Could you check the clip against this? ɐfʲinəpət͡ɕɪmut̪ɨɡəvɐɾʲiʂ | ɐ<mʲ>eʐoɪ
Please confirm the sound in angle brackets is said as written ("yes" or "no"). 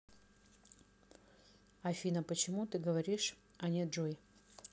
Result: no